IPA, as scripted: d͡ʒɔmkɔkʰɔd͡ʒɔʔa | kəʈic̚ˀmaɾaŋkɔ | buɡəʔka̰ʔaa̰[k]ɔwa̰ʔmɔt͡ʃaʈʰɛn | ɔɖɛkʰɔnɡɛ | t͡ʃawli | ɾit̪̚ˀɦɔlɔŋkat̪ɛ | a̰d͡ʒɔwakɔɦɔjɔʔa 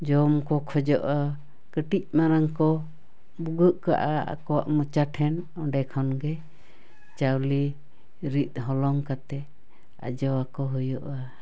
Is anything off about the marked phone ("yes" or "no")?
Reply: no